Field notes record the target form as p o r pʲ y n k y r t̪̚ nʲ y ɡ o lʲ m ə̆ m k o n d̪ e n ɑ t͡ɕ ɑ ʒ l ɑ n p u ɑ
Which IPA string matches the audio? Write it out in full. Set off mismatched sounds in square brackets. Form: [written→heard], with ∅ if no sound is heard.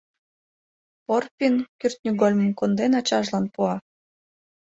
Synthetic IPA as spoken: p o r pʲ [y→i] n k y r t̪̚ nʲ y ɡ o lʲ m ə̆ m k o n d̪ e n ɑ t͡ɕ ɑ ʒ l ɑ n p u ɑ